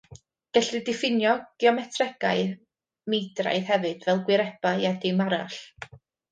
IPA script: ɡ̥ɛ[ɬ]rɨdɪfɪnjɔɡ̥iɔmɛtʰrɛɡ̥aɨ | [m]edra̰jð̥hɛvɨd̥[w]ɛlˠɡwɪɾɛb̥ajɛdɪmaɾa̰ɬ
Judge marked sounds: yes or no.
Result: yes, yes, no

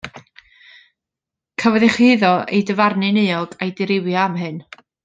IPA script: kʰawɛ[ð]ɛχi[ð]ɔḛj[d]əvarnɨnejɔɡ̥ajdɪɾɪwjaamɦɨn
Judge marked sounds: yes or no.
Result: yes, yes, yes

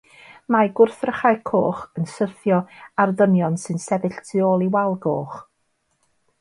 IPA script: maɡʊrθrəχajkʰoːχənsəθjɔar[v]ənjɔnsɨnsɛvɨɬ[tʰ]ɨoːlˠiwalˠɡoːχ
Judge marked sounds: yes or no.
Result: no, yes

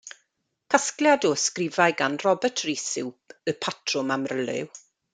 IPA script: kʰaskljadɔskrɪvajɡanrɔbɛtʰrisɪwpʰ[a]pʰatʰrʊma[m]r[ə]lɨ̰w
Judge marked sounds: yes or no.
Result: no, yes, yes

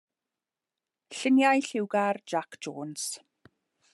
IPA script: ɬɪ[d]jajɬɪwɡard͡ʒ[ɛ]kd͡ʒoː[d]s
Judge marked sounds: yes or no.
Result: no, no, no

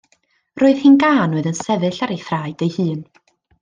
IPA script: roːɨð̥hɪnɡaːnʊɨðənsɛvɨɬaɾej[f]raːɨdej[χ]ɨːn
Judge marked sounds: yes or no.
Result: no, no

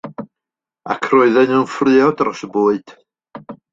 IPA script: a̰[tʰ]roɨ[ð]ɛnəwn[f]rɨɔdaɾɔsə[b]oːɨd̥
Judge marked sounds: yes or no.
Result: no, yes, yes, yes

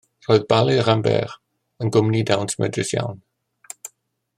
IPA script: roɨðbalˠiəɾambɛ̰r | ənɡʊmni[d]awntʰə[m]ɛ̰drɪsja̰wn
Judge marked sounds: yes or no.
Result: yes, yes

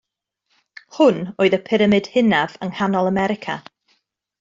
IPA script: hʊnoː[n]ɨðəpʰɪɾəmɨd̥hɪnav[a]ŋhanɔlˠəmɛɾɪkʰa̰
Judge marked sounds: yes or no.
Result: no, no

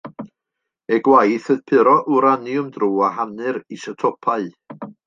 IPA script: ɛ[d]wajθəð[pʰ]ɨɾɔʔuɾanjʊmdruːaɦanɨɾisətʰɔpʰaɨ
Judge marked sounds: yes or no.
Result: no, yes

